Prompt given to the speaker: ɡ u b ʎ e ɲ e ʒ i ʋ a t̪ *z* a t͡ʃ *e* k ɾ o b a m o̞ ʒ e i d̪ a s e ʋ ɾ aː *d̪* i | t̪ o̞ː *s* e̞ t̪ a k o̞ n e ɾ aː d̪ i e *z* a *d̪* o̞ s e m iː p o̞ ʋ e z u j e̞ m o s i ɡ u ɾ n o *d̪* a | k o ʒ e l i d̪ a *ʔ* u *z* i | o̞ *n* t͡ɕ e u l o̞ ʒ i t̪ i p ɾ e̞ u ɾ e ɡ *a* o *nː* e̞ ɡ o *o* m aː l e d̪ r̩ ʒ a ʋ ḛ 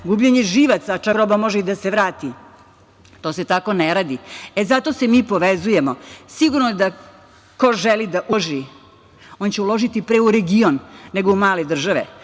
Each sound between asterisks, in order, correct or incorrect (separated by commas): incorrect, incorrect, incorrect, correct, correct, incorrect, correct, correct, incorrect, correct, incorrect, correct, incorrect